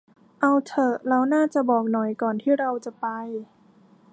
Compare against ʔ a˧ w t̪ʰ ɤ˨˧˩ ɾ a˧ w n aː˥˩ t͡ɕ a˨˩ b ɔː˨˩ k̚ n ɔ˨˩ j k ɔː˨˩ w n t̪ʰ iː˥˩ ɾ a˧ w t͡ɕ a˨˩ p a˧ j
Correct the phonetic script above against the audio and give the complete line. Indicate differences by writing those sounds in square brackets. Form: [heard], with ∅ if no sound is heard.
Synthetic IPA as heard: ʔ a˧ w t̪ʰ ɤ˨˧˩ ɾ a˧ w n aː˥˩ t͡ɕ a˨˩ b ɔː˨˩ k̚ n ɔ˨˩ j k ɔː˨˩ [∅] n t̪ʰ iː˥˩ ɾ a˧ w t͡ɕ a˨˩ p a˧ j